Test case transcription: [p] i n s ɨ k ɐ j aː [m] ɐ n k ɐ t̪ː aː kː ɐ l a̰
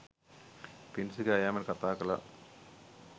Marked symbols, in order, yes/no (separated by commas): yes, yes